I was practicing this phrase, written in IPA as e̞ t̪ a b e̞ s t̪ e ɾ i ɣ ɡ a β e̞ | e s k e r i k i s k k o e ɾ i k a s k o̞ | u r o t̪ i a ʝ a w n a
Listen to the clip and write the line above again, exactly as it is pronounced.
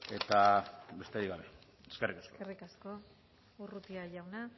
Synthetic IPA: e̞ t̪ a b e̞ s t̪ e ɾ i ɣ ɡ a β e̞ | e s k e r i k a s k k o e r i k a s k o̞ | u r u t̪ i a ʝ a w n a